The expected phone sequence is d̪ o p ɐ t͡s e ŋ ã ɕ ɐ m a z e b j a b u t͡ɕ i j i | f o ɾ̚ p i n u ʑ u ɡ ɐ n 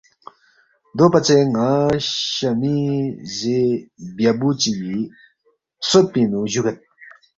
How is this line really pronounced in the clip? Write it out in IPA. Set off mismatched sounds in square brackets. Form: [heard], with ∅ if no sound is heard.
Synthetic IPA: d̪ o p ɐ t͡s e ŋ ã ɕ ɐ m [i] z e b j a b u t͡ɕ i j i | [s] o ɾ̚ p i n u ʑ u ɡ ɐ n